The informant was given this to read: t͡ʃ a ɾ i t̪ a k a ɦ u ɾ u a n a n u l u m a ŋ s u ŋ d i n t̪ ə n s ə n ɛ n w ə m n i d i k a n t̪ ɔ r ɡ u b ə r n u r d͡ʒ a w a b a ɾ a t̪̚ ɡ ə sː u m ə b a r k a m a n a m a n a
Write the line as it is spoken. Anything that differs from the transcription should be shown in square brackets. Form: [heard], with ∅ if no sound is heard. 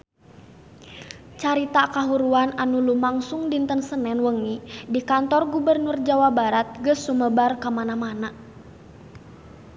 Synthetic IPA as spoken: t͡ʃ a ɾ i t̪ a k a ɦ u ɾ u a n a n u l u m a ŋ s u ŋ d i n t̪ ə n s ə n ɛ n w ə [ŋ] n i d i k a n t̪ ɔ r ɡ u b ə r n u r d͡ʒ a w a b a ɾ a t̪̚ ɡ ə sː u m ə b a r k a m a n a m a n a